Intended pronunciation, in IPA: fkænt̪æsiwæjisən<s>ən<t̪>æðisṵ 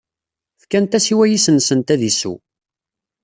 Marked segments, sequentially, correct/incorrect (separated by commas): correct, correct